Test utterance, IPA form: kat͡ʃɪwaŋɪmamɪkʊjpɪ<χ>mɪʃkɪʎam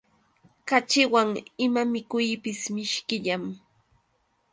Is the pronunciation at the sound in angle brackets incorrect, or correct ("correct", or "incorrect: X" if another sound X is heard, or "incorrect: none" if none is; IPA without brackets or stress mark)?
incorrect: s